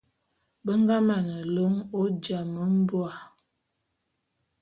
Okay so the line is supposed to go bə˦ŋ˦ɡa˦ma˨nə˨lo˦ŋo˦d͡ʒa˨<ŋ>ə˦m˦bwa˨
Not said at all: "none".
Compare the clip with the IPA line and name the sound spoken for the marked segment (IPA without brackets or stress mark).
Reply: m